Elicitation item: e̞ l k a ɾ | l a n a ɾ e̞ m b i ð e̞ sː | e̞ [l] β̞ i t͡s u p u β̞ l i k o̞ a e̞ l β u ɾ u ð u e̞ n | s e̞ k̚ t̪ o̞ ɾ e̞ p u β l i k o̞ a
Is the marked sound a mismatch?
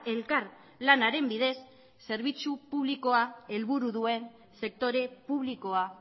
yes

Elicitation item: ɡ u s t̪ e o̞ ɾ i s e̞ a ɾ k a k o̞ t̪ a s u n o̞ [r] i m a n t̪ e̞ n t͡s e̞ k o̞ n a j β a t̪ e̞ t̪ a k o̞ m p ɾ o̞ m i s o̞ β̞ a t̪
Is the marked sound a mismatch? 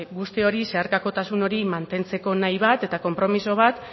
yes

